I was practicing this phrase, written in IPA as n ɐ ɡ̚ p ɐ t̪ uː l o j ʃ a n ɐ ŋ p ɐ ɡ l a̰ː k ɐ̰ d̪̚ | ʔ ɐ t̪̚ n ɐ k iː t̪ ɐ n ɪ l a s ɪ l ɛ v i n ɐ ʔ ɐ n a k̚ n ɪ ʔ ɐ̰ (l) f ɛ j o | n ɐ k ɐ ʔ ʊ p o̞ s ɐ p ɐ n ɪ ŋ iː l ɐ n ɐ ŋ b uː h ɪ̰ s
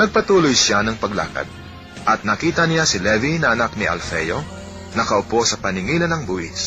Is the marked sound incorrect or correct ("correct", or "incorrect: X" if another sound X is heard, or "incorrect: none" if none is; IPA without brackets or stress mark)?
correct